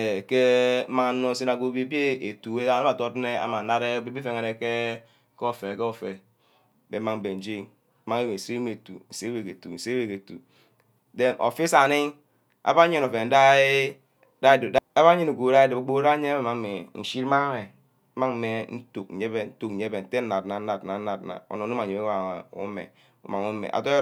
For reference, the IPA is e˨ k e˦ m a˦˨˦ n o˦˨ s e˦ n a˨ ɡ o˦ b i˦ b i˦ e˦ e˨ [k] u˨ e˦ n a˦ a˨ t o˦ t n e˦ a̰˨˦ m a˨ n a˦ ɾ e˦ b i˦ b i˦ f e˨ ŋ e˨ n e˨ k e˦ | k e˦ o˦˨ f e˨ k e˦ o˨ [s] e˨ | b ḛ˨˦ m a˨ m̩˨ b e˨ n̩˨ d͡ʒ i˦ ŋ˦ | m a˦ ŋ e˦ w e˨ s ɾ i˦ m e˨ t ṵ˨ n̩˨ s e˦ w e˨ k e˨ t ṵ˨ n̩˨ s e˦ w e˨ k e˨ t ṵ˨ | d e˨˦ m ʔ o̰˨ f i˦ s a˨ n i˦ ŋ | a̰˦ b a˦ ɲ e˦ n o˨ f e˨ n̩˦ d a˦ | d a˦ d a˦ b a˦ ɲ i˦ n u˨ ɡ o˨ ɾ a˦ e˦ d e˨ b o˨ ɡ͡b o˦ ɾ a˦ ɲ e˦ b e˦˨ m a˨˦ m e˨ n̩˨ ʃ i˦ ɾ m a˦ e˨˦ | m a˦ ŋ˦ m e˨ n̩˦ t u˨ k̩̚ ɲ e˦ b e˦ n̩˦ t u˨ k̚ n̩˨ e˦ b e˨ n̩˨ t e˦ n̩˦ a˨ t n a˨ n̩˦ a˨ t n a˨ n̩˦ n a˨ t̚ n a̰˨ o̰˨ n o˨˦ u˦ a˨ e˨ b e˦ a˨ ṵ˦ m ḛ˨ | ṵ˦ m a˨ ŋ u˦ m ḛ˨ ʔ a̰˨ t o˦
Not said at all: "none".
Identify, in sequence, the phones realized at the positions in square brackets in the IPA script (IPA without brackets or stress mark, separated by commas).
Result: t, f